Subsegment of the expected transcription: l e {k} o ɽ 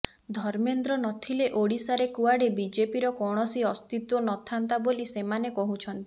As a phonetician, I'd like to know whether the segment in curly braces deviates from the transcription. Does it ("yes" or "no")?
yes